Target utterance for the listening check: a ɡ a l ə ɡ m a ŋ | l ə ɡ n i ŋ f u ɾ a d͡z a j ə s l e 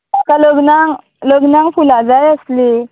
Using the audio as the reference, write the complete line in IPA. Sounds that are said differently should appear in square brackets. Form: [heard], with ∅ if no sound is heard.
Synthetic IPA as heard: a [k] a l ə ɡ [n] a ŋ | l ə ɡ n [a] ŋ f u [l] a d͡z a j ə s l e

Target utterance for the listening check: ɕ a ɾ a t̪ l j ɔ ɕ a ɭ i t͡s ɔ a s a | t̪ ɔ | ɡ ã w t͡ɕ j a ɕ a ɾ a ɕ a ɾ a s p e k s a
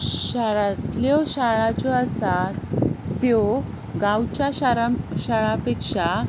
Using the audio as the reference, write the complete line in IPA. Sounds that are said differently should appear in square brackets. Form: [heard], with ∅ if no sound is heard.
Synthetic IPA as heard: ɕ a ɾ a t̪ l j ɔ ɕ a ɭ [a] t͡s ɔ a s a | t̪ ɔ | ɡ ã w t͡ɕ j a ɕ a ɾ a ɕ a [ɭ] a [∅] p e k [ʂ] a

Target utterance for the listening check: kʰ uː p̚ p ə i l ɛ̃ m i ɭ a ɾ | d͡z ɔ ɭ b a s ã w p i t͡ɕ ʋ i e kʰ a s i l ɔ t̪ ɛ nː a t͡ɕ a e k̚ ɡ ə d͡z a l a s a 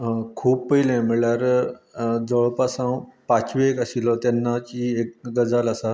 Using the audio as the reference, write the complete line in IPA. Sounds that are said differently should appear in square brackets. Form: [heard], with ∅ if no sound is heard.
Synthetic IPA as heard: kʰ uː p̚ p ə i l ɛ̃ m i ɭ a ɾ | d͡z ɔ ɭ [p] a s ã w p [a] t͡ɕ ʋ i e [k] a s i l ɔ t̪ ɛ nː a t͡ɕ [i] e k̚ ɡ ə d͡z a l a s a

